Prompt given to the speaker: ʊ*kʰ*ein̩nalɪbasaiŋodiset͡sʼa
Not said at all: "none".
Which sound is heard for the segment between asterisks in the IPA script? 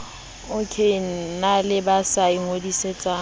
kʰ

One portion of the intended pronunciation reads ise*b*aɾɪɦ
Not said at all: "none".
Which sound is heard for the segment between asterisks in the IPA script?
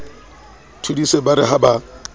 b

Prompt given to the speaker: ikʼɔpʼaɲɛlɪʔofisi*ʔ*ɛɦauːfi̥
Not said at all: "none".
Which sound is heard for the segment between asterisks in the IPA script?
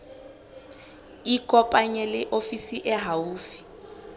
ʔ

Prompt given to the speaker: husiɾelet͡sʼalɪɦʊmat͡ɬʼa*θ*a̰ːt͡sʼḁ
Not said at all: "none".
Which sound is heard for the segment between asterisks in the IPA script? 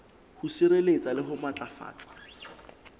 f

